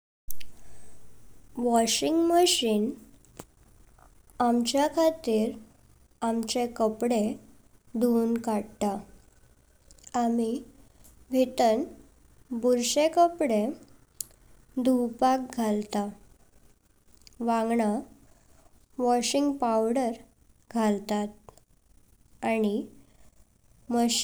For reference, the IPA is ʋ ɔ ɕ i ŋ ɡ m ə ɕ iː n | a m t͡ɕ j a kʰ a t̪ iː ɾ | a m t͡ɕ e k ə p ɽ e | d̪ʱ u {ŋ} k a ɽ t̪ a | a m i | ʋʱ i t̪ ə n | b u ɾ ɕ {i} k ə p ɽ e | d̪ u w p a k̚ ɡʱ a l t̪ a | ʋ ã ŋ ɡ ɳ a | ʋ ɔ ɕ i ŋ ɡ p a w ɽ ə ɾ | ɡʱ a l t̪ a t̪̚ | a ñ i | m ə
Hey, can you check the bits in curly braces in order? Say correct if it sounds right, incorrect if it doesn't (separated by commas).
incorrect, incorrect